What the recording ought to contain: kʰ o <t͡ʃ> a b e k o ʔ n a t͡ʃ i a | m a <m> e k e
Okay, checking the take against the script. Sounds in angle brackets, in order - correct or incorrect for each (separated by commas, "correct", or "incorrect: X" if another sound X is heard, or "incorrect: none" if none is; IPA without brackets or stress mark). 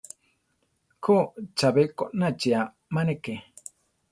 correct, incorrect: n